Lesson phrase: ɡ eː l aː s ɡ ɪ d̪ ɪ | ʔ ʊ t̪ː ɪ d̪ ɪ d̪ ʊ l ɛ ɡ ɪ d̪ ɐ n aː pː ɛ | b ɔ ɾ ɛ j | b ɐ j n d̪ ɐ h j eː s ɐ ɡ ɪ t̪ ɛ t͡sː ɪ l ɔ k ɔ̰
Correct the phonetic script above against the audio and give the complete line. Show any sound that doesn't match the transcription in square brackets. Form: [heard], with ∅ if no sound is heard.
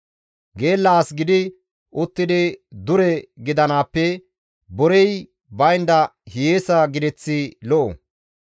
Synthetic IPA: ɡ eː [lː] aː s ɡ ɪ d̪ ɪ | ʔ ʊ t̪ː ɪ d̪ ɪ d̪ ʊ [ɾ] ɛ ɡ ɪ d̪ ɐ n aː pː ɛ | b ɔ ɾ ɛ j | b ɐ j n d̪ ɐ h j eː s ɐ ɡ ɪ [d̪] ɛ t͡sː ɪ l ɔ [ʔ] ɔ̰

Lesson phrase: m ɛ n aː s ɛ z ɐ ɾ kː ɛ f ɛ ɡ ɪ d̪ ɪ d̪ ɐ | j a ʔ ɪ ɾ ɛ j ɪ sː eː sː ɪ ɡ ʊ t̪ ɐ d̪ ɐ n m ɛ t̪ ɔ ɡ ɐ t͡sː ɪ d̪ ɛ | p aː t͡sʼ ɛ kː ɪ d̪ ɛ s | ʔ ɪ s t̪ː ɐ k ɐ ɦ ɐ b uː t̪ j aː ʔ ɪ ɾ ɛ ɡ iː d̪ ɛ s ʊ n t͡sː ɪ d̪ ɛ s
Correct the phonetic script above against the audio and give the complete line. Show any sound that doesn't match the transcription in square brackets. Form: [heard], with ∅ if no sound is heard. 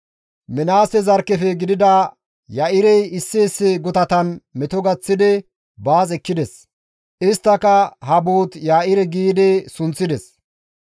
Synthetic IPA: m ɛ n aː s ɛ z ɐ ɾ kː ɛ f ɛ ɡ ɪ d̪ ɪ d̪ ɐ | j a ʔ ɪ ɾ ɛ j ɪ sː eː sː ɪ ɡ ʊ t̪ ɐ [t̪] ɐ n m ɛ t̪ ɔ ɡ ɐ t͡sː ɪ d̪ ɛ | [b] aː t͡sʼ ɛ kː ɪ d̪ ɛ s | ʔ ɪ s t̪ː ɐ k ɐ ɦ ɐ b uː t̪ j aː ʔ ɪ ɾ ɛ ɡ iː d̪ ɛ s ʊ n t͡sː ɪ d̪ ɛ s

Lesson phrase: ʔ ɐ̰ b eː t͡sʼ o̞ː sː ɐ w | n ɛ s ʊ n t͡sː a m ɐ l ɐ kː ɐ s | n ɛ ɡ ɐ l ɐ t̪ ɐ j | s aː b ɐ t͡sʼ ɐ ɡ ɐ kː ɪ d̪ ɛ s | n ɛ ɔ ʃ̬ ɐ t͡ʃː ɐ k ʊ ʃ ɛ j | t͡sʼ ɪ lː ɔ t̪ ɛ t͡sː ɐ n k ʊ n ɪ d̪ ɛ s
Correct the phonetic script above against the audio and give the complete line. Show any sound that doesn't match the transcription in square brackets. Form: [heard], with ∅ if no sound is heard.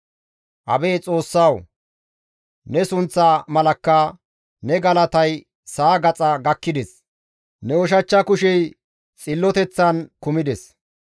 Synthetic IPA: ʔ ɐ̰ b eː t͡sʼ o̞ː sː ɐ w | n ɛ s ʊ n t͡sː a m ɐ l ɐ kː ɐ [∅] | n ɛ ɡ ɐ l ɐ t̪ ɐ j | s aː [ɡ] ɐ t͡sʼ ɐ ɡ ɐ kː ɪ d̪ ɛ s | n ɛ ɔ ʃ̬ ɐ t͡ʃː ɐ k ʊ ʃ ɛ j | t͡sʼ ɪ lː ɔ t̪ ɛ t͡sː ɐ n k ʊ [m] ɪ d̪ ɛ s

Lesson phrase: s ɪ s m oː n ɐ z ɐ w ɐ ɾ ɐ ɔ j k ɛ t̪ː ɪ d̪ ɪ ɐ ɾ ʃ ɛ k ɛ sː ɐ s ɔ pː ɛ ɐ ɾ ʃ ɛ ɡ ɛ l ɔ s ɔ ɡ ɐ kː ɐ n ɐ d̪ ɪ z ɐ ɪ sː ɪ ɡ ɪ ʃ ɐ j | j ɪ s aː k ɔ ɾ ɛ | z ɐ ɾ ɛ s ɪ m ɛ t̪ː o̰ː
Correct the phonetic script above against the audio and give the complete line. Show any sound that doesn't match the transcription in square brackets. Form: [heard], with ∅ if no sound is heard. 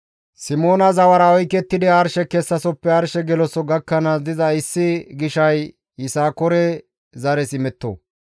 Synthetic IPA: s ɪ [∅] m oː n ɐ z ɐ w ɐ ɾ ɐ ɔ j k ɛ t̪ː ɪ d̪ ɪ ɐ ɾ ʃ ɛ k ɛ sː ɐ s ɔ pː ɛ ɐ ɾ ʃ ɛ ɡ ɛ l ɔ s ɔ ɡ ɐ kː ɐ n ɐ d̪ ɪ z ɐ ɪ sː ɪ ɡ ɪ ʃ ɐ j | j ɪ s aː k ɔ ɾ ɛ | z ɐ ɾ ɛ s ɪ m ɛ t̪ː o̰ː

